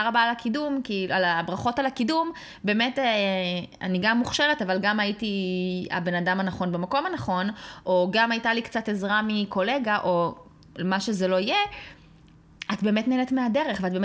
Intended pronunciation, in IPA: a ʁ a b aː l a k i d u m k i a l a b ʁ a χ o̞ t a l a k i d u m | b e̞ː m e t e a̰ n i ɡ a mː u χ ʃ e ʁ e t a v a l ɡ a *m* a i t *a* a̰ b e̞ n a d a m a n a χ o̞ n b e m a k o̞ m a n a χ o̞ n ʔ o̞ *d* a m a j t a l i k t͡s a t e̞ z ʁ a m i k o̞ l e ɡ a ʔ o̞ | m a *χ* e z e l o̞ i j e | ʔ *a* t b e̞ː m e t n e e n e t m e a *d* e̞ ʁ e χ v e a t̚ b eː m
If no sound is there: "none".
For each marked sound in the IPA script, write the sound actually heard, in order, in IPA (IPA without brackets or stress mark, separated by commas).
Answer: m, i, ɡ, ʃ, a, d